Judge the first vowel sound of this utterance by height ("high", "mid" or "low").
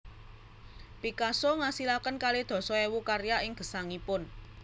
high